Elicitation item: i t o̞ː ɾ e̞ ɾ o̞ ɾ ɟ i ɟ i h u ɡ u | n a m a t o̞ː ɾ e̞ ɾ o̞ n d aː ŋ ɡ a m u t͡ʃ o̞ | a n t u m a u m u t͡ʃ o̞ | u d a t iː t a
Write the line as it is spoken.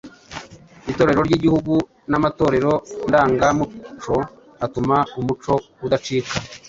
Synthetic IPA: i t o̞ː ɾ e̞ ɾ o̞ ɾ ɟ i ɟ i h u ɡ u | n a m a t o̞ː ɾ e̞ ɾ o̞ n d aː ŋ ɡ a m u t͡ʃ o̞ | a t u m a u m u t͡ʃ o̞ | u d a t͡ʃ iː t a